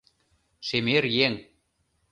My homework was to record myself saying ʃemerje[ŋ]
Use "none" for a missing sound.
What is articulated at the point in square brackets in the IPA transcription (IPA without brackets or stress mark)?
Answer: ŋ